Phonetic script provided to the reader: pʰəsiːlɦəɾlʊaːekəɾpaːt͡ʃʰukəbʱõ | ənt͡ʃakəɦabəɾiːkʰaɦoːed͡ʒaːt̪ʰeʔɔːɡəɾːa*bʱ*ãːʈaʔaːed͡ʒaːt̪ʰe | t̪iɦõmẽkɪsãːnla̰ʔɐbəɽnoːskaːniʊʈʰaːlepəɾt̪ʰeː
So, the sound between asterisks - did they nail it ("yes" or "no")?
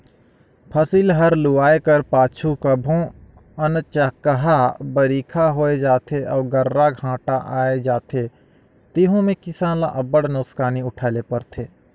no